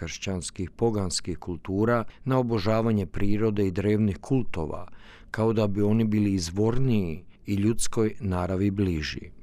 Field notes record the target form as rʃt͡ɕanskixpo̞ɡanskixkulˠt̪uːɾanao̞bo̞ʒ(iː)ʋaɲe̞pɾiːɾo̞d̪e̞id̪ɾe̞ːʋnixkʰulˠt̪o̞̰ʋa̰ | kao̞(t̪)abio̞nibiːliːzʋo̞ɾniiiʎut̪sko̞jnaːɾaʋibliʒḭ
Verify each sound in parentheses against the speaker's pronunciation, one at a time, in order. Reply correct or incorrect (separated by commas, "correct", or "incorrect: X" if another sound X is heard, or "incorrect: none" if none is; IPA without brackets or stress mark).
incorrect: aː, incorrect: d̪